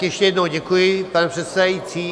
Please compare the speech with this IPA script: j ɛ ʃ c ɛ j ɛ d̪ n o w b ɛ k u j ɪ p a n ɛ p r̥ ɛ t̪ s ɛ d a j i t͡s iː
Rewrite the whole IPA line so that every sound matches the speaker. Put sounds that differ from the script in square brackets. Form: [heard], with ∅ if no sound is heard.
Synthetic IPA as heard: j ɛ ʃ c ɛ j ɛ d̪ n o w [ɟ] ɛ k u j ɪ p a n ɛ p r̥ ɛ t̪ s ɛ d a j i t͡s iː